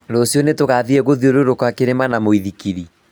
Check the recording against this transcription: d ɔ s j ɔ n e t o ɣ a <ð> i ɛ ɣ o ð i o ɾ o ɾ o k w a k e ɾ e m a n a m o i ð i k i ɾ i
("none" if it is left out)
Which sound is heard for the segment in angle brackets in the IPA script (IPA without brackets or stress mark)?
ð